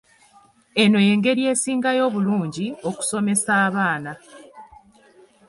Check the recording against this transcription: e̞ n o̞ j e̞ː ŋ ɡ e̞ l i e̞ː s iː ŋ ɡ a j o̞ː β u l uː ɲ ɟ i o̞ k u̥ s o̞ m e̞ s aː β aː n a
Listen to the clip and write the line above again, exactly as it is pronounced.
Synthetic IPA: e̞ n o̞ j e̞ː ŋ ɡ e̞ ɾ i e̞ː s iː ŋ ɡ a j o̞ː β u l uː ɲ ɟ i o̞ k u̥ s o̞ m e̞ s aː β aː n a